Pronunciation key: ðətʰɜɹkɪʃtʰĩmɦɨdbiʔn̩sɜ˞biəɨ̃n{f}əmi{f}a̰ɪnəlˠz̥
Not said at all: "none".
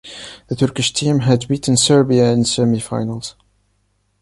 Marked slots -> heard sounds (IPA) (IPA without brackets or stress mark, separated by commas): s, f